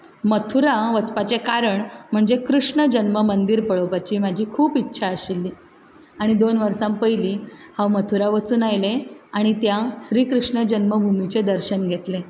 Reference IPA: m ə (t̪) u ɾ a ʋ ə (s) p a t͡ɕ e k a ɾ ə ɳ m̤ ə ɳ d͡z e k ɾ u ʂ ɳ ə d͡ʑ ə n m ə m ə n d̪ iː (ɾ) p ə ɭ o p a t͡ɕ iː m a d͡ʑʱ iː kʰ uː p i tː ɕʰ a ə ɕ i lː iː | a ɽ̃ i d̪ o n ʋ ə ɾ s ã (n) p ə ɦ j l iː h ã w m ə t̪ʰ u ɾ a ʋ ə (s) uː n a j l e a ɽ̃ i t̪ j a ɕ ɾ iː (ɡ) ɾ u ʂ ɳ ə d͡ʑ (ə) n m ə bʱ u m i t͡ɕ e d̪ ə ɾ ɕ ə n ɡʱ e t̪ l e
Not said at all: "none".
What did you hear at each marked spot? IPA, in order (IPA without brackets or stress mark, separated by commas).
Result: t̪ʰ, t͡s, ɾ, m, t͡s, k, ə